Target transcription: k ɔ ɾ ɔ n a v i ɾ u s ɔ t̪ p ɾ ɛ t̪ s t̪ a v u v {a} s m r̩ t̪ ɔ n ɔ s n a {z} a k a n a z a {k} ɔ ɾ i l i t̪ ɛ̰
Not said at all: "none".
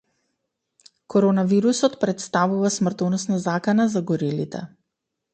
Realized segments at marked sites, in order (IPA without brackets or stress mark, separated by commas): a, z, ɡ